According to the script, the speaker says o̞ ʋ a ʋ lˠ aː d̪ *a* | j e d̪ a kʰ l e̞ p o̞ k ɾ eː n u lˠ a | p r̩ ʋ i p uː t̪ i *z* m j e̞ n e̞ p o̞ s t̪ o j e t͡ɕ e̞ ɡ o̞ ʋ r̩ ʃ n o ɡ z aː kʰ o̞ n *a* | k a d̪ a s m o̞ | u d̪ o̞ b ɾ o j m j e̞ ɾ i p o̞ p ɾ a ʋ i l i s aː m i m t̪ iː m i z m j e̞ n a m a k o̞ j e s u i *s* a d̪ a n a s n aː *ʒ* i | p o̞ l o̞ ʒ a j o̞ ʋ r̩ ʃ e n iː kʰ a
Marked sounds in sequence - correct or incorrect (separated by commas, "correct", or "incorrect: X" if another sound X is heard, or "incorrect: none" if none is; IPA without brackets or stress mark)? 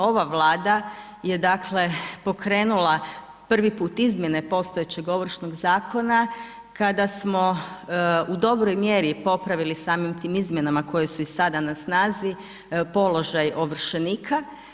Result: correct, correct, correct, correct, incorrect: z